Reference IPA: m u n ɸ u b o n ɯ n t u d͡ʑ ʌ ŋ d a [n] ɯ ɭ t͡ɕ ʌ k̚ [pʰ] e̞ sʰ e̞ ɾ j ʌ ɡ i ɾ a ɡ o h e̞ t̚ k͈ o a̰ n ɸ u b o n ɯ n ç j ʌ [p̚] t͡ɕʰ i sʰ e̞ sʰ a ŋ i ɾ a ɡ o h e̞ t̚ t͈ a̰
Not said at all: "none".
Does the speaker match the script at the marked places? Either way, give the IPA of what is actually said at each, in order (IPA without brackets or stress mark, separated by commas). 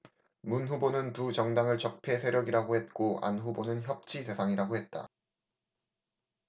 ŋ, pʰ, p̚